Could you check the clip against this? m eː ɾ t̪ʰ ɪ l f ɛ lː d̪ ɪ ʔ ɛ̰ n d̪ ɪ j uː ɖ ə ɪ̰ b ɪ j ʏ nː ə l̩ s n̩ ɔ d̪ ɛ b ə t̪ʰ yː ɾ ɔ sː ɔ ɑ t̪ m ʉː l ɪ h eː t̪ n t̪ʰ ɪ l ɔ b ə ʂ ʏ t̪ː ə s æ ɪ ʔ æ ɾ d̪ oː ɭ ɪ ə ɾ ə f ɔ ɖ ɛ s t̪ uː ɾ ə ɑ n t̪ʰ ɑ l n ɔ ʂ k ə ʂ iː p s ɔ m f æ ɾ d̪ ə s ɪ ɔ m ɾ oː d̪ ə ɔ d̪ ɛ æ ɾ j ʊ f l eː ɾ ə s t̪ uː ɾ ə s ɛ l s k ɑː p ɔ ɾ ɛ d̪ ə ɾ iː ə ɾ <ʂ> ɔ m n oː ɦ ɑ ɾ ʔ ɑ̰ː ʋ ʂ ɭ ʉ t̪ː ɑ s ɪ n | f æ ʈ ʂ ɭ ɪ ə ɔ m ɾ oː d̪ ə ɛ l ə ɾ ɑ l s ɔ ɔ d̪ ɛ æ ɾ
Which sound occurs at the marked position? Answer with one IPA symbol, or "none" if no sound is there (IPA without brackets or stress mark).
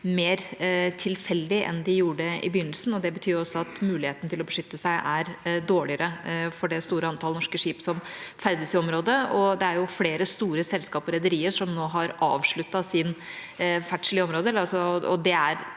ʂ